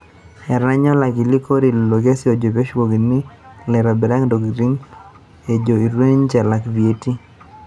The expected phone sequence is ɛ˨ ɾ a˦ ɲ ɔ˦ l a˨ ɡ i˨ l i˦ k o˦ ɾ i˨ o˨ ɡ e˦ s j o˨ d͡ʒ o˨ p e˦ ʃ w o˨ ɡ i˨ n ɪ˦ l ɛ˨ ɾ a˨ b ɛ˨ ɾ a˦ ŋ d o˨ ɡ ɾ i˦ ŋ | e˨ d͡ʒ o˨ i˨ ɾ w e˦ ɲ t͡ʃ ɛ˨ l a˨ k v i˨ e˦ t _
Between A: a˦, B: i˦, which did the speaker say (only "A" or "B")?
B